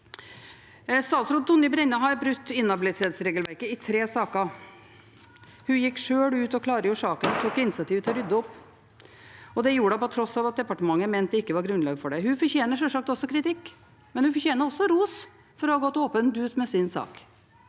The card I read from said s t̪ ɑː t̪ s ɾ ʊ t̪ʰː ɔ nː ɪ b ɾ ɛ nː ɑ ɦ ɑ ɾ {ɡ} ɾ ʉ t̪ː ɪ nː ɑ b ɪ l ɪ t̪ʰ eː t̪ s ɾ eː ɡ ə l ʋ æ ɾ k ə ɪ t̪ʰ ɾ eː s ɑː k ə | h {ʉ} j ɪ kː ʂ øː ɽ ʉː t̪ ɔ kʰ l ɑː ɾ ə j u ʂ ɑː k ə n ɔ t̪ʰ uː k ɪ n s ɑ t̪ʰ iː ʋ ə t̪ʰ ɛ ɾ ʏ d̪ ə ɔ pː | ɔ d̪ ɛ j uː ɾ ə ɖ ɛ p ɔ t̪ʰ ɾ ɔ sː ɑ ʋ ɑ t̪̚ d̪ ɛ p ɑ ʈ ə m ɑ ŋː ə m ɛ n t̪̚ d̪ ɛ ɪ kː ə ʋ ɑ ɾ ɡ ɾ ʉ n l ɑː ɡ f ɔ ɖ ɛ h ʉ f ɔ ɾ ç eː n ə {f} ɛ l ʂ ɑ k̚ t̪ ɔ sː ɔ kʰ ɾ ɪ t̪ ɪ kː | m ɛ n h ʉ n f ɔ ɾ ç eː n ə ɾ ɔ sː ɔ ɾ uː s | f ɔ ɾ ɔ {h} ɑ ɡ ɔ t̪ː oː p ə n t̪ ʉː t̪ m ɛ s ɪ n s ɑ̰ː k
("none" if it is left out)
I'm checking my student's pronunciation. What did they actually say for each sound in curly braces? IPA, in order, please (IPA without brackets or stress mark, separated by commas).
b, ʉ, ʂ, h